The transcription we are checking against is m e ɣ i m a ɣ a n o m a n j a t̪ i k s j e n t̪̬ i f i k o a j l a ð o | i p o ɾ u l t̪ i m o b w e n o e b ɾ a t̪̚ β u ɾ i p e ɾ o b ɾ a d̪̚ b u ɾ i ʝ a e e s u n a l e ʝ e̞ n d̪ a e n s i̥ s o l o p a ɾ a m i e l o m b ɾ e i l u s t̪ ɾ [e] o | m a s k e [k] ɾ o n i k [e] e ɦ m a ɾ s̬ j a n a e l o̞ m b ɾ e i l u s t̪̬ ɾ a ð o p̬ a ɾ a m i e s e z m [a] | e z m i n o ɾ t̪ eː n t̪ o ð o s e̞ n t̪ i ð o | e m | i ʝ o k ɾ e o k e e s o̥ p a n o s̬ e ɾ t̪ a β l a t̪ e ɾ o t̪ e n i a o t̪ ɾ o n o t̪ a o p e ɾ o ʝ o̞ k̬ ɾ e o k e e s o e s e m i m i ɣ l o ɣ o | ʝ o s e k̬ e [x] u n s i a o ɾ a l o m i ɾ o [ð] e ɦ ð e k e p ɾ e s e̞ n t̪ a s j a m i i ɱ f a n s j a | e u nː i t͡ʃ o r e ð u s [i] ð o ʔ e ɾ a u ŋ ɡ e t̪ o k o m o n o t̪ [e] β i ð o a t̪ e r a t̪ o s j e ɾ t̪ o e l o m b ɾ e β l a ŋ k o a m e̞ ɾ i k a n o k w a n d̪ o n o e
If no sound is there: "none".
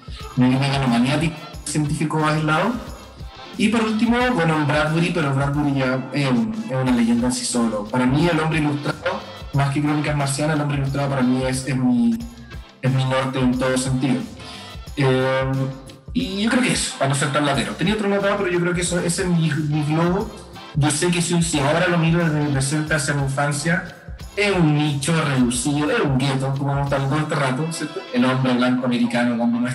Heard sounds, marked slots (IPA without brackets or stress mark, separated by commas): a, k, a, i, s, ð, i, a